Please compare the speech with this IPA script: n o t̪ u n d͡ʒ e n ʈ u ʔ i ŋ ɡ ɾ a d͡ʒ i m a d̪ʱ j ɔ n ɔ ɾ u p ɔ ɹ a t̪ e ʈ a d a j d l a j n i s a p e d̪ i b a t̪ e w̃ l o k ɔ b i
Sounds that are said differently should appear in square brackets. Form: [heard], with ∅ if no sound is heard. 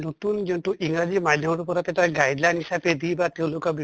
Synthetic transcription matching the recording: n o t̪ u n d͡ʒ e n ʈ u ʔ i ŋ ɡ ɾ a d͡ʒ i m a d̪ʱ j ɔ [m] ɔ ɾ u p ɔ [ɾ] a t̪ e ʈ a [ɡ] a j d l a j n i s a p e d̪ i b a t̪ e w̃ l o k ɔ b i